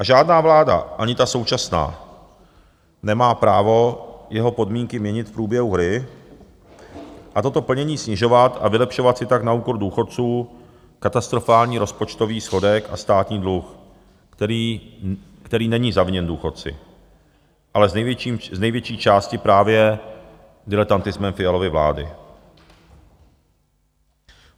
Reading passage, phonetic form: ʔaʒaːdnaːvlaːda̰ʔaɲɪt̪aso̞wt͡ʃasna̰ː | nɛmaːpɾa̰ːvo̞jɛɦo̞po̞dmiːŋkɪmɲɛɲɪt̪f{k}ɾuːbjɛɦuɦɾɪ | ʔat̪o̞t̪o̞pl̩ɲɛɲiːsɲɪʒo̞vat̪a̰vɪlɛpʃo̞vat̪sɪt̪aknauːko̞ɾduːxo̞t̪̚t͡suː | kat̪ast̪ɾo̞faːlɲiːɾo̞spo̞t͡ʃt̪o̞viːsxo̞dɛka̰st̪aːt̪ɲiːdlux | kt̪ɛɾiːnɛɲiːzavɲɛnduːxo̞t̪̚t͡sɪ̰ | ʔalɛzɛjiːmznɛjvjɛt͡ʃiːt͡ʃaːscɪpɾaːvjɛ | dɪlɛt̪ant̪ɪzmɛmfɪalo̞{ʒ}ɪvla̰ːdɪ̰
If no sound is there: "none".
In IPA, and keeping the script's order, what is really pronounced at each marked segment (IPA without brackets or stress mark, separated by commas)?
p, v